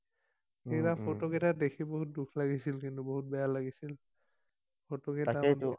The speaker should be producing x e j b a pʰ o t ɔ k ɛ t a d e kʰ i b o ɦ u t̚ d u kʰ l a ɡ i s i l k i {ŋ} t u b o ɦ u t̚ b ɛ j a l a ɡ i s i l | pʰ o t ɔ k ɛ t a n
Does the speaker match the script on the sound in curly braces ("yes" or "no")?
no